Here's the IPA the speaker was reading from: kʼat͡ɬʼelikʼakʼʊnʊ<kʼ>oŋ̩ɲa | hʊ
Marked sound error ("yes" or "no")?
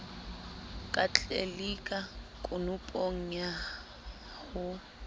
yes